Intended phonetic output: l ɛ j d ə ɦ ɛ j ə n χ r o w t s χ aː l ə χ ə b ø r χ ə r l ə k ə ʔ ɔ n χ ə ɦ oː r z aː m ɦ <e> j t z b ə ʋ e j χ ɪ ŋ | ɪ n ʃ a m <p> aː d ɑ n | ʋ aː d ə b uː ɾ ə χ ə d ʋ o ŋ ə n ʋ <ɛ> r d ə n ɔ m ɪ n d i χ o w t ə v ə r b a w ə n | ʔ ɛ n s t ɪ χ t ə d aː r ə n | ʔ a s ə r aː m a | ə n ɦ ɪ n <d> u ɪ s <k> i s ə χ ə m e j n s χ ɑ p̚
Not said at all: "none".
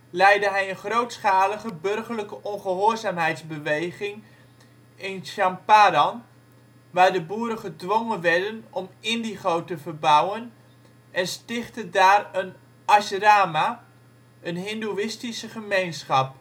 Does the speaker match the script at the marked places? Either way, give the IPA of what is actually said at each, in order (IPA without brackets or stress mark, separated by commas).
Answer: ɛ, p, ɛ, d, t